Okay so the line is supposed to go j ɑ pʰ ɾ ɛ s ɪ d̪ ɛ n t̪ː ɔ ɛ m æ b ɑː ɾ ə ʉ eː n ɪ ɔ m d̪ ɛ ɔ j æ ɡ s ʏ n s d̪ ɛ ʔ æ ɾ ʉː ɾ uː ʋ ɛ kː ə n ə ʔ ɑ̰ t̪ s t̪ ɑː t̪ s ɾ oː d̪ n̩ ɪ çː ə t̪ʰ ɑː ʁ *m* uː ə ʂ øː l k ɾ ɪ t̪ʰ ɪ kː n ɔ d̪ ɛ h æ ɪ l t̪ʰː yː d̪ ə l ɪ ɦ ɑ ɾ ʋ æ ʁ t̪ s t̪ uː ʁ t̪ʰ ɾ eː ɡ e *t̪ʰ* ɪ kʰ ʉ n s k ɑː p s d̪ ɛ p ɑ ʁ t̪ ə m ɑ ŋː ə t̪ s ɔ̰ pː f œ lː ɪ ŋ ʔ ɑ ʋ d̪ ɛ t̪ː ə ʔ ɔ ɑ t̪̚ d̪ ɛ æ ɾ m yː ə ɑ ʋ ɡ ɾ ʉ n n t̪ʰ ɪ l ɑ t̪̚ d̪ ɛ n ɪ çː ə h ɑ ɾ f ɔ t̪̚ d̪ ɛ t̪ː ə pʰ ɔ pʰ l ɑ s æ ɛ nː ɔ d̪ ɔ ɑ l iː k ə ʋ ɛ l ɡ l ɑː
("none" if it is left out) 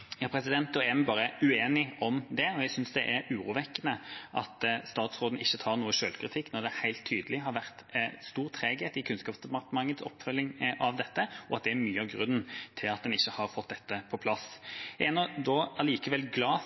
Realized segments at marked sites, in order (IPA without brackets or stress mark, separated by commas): n, t̪